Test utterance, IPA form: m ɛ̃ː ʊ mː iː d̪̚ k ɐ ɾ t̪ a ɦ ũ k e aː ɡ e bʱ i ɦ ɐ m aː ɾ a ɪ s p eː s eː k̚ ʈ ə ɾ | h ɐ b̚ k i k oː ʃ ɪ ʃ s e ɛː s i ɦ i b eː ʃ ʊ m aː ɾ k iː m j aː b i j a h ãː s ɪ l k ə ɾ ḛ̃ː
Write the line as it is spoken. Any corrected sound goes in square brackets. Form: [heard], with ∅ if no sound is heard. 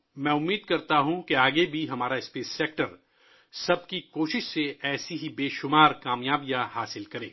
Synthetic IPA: m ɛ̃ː ʊ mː iː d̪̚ k ɐ ɾ t̪ a ɦ ũ k e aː ɡ e bʱ i ɦ ɐ m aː ɾ a ɪ s p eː s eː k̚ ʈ ə ɾ | [s] ɐ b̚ k i k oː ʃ ɪ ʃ s e ɛː s i ɦ i b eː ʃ ʊ m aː ɾ k [aː] m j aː b i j a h [aː] s ɪ l k [ɐ] ɾ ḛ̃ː